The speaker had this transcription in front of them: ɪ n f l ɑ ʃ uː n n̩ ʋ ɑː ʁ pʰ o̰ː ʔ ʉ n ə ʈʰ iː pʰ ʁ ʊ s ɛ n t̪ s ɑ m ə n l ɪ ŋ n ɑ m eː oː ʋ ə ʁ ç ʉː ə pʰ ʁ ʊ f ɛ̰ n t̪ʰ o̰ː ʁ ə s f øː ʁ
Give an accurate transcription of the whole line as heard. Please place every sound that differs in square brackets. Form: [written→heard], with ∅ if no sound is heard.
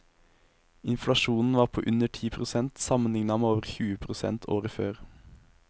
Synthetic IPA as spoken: ɪ n f l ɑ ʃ uː n n̩ ʋ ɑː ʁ pʰ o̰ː ʔ ʉ n ə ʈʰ iː pʰ ʁ ʊ s ɛ n t̪ s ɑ m ə n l ɪ ŋ n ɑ m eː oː ʋ ə ʁ ç ʉː ə pʰ ʁ ʊ [f→s] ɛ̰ n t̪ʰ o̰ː ʁ ə [s→∅] f øː ʁ